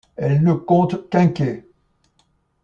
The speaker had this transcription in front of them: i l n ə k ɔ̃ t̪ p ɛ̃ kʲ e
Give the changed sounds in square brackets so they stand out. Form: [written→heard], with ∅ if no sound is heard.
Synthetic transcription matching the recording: [i→ɛ] l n ə k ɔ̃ t̪ [p→k] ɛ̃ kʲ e